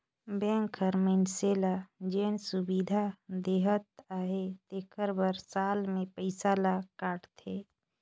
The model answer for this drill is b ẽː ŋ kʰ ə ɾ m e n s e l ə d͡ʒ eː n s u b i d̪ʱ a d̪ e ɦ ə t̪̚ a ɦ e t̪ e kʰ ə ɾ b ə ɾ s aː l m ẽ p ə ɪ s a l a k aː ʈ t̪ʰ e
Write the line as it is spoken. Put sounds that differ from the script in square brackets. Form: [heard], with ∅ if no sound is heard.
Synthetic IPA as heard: b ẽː ŋ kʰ ə ɾ m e n s e l [a] d͡ʒ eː n s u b i d̪ʱ a d̪ e ɦ ə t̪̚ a ɦ e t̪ e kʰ ə ɾ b ə ɾ s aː l m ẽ p ə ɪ s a l a k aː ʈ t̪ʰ e